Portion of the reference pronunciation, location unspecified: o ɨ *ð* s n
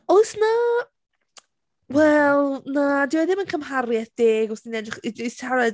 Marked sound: incorrect: none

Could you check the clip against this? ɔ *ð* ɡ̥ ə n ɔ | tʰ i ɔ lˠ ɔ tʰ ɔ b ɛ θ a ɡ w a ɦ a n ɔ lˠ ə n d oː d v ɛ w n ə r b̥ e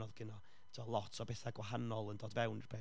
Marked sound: correct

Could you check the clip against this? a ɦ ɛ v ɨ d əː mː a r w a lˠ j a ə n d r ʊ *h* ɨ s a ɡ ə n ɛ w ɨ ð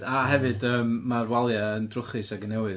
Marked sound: incorrect: χ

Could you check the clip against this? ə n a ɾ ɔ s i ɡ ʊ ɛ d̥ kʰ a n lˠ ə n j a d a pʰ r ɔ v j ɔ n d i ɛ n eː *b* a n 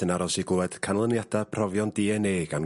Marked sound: incorrect: ɡ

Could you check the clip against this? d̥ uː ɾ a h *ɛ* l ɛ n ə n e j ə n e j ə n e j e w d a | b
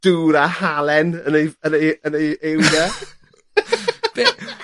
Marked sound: incorrect: a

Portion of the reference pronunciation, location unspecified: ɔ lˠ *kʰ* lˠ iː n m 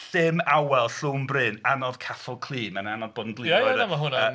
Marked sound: correct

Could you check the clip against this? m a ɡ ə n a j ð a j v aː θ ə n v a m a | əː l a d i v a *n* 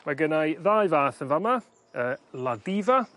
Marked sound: incorrect: none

